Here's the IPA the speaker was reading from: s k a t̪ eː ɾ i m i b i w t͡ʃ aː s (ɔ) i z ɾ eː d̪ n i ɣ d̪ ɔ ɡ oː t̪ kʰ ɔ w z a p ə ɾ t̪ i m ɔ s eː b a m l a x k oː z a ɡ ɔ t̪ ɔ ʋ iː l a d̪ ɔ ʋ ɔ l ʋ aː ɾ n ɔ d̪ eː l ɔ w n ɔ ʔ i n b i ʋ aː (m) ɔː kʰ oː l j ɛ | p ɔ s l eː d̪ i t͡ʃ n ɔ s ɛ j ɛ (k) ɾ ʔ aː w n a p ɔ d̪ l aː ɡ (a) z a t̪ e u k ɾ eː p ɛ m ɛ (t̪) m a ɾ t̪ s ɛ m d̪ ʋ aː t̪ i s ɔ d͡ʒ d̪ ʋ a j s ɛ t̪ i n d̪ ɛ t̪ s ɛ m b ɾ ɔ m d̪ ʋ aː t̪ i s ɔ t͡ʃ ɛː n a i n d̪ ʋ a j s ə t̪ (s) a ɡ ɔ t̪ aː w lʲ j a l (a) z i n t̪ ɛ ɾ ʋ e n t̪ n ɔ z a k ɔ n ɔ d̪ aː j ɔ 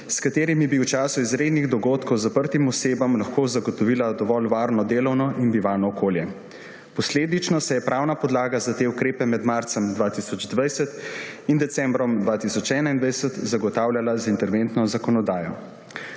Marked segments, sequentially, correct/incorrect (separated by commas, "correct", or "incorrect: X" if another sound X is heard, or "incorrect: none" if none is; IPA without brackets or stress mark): incorrect: u, incorrect: n, incorrect: p, correct, incorrect: d̪, incorrect: z, correct